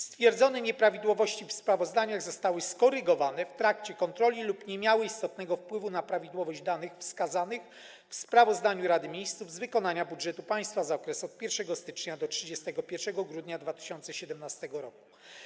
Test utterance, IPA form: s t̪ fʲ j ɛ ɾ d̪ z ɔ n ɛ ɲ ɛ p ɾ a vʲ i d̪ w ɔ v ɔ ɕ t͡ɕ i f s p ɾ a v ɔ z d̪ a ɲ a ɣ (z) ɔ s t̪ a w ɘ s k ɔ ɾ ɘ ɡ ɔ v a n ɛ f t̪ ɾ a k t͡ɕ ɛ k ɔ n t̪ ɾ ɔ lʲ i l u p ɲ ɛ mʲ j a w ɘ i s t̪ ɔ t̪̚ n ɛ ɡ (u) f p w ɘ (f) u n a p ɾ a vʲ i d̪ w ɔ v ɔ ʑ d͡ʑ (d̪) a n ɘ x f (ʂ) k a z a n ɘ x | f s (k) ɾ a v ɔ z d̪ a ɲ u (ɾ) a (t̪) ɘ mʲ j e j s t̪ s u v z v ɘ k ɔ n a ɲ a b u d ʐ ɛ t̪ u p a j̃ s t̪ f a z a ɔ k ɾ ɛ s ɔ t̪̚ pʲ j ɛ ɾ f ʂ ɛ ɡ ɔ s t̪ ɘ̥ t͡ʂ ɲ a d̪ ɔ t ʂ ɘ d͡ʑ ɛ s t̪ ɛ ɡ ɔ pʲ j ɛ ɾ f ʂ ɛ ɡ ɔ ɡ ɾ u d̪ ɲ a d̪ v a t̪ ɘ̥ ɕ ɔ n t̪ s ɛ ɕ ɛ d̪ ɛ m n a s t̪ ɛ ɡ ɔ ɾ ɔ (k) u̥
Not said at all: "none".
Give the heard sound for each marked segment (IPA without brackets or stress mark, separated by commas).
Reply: z, ɔ, v, d̪, s, p, ɾ, d̪, k